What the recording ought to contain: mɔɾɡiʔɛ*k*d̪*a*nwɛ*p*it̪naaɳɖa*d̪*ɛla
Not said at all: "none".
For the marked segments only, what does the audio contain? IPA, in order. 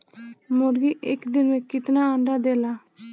k, i, k, d̪

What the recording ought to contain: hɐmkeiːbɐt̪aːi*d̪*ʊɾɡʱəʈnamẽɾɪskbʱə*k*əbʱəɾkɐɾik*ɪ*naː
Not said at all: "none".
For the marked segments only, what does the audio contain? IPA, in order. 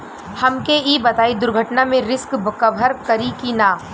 d̪, k, i

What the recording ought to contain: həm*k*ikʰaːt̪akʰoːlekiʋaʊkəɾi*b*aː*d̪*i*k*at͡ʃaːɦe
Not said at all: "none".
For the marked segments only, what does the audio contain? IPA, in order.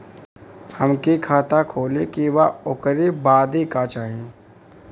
k, b, d̪, k

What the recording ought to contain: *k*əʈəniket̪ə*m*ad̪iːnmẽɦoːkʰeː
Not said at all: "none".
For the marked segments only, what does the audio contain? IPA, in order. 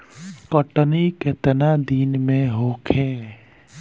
k, n

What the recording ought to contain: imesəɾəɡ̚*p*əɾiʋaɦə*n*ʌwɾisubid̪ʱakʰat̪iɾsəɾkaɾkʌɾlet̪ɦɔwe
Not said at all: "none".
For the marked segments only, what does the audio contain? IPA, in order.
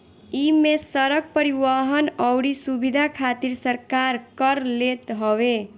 p, n

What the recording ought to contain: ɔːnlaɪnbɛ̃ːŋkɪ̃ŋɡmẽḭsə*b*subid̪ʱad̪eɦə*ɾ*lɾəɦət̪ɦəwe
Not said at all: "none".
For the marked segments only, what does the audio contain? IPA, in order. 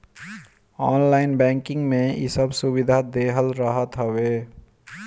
b, none

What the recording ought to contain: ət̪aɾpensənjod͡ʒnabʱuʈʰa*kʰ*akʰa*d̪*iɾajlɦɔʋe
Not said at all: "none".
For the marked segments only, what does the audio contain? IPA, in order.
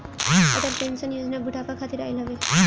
k, t̪

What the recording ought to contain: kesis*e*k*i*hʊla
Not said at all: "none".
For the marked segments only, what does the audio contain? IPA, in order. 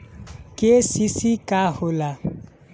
i, a

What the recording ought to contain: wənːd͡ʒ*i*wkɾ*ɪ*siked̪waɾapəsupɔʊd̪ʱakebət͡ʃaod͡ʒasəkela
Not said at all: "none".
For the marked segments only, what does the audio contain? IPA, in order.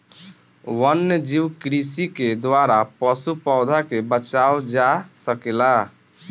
i, i

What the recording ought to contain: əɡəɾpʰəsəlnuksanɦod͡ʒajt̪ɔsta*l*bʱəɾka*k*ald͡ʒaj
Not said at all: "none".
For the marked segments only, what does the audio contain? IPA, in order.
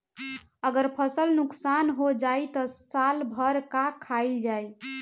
l, kʰ

